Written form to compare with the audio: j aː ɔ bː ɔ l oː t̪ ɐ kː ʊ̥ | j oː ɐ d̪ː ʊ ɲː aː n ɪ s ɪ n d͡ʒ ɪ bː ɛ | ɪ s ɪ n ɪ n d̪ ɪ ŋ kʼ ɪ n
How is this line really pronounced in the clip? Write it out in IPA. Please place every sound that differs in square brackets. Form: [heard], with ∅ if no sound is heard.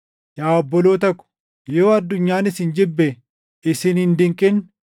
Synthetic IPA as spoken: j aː ɔ bː ɔ l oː t̪ ɐ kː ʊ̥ | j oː ɐ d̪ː ʊ ɲː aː n ɪ s ɪ n d͡ʒ ɪ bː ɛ | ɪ s ɪ n ɪ n d̪ ɪ ŋ kʼ ɪ n